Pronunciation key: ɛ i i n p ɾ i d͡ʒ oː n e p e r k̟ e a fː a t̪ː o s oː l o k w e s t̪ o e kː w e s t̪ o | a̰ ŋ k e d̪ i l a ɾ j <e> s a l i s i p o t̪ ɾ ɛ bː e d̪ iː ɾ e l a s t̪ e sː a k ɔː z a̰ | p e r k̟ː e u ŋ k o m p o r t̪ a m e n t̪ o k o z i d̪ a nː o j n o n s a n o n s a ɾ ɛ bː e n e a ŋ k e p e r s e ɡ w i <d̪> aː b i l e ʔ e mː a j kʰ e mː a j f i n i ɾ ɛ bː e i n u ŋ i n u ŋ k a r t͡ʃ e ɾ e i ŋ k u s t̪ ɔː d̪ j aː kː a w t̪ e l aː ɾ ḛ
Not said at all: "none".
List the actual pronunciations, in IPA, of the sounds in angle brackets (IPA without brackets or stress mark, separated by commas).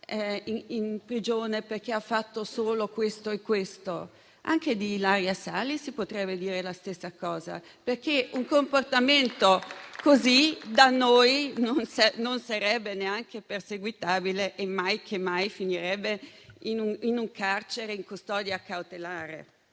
a, t̪